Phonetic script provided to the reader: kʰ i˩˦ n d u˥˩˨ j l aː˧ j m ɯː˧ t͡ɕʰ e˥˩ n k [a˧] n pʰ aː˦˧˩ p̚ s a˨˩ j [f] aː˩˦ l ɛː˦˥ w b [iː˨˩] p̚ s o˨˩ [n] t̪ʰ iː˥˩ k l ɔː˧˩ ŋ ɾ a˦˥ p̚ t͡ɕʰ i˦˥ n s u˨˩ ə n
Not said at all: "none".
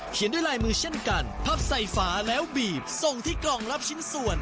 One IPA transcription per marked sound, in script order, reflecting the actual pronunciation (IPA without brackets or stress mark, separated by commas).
a˧, f, iː˨˩, ŋ